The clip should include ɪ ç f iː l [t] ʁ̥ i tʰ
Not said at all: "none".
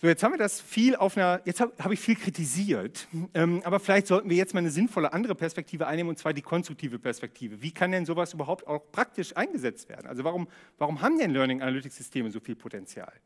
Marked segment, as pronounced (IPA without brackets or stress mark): k